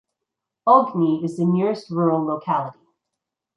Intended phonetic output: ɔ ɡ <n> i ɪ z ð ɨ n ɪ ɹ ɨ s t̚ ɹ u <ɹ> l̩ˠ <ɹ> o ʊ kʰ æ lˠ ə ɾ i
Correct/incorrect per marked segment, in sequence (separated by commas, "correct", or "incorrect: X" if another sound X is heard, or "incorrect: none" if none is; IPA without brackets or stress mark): correct, correct, incorrect: l